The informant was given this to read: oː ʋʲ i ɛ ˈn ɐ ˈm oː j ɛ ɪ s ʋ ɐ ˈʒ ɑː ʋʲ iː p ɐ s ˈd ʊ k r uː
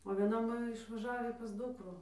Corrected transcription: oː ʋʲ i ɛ ˈn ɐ ˈm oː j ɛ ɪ ʃ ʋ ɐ ˈʒ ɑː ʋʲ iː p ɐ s ˈd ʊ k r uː